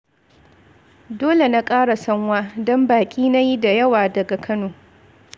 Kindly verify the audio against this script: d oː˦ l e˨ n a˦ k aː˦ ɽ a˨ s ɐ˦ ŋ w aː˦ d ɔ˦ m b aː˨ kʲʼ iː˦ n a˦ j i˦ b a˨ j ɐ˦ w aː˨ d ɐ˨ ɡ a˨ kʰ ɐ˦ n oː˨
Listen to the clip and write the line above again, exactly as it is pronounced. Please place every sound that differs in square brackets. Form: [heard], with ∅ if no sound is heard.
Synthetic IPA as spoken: d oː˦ l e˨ n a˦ [kʼ] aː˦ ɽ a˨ s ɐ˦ ŋ w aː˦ d ɔ˦ m b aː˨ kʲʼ iː˦ n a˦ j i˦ [d] a˨ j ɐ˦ w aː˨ d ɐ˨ ɡ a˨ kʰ ɐ˦ n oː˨